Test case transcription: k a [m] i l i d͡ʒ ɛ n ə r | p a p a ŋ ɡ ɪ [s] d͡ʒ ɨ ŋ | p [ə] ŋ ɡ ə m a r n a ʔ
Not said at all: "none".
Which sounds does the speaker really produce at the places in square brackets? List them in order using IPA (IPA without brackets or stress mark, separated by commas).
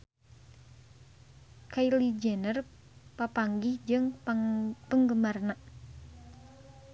none, h, ə